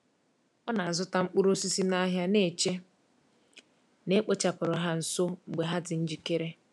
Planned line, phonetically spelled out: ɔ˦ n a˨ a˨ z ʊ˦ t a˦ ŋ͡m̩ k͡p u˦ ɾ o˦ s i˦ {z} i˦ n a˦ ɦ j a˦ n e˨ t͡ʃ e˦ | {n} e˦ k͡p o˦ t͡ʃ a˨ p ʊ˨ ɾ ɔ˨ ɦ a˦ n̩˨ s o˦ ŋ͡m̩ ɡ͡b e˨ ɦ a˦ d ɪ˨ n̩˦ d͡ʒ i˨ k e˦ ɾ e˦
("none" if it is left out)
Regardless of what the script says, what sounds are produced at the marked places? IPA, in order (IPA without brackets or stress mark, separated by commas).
s, n